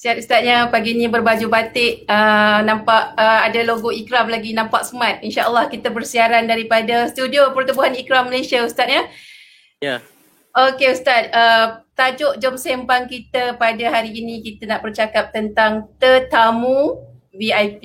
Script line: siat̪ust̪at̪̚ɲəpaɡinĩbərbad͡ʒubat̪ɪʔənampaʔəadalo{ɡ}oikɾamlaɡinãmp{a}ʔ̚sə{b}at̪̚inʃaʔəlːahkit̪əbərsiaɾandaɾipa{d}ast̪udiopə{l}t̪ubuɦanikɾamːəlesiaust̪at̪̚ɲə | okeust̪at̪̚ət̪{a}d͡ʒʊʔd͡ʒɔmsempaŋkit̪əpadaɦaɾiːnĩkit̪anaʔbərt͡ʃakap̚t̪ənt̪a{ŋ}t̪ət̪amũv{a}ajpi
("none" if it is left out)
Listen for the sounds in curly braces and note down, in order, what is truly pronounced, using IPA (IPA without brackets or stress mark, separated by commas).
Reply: ɡ, a, m, d, r, a, ŋ, i